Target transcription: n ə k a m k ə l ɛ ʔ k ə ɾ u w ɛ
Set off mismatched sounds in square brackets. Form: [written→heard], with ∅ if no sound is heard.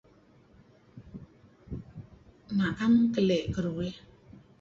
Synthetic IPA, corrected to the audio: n [ə→a] k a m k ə l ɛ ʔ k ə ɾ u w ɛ